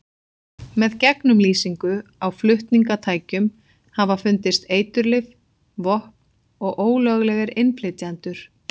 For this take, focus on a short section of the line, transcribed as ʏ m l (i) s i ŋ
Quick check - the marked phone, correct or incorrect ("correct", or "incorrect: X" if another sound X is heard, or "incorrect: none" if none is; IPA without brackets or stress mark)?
incorrect: iː